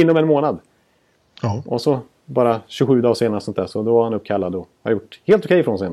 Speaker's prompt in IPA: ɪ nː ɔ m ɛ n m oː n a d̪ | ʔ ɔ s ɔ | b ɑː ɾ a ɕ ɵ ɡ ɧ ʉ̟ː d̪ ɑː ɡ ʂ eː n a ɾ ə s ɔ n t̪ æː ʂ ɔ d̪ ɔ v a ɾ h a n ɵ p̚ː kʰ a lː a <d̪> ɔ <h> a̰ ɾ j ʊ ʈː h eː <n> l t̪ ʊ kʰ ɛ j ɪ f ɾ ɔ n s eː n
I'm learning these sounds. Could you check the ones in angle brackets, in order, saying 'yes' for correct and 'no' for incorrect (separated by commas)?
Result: yes, yes, no